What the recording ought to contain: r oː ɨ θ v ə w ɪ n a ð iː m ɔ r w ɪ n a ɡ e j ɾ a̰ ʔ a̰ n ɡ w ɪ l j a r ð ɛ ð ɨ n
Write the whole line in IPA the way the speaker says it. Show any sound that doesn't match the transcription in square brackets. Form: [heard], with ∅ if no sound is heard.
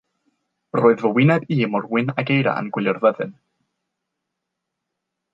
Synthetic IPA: r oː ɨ [ð] v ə w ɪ n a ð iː m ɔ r w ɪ n a ɡ e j ɾ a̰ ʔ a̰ n ɡ w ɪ l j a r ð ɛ ð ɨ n

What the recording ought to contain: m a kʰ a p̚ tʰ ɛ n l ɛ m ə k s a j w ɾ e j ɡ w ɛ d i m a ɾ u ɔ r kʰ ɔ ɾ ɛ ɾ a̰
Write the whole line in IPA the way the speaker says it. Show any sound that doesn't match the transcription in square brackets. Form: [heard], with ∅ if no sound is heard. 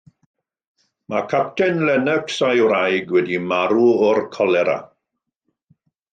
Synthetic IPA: m a kʰ a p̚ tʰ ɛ n l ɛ [n] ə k s a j w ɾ [a] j ɡ w ɛ d i m a ɾ u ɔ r kʰ ɔ [l] ɛ ɾ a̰

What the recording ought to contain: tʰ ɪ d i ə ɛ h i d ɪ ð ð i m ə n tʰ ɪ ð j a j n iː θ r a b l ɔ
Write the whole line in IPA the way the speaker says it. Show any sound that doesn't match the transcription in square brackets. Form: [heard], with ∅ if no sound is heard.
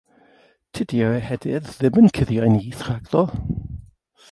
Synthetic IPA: tʰ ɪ d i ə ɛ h [ɛ] d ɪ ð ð [ɪ] m ə n [kʰ] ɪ ð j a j n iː θ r a [ɡ] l ɔ

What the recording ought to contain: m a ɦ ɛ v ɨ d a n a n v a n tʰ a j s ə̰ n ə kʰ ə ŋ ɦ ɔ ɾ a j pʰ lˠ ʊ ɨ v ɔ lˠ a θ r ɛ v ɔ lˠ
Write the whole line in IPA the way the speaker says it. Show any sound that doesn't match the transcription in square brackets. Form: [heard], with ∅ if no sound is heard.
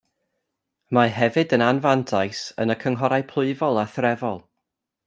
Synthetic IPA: m a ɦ ɛ v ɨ d [ə] n a n v a n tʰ a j s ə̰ n ə kʰ ə ŋ ɦ ɔ ɾ a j pʰ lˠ ʊ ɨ v ɔ lˠ a θ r ɛ v ɔ lˠ

